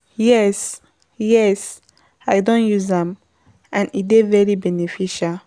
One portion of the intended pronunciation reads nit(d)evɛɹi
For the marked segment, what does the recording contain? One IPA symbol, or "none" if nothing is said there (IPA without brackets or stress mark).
d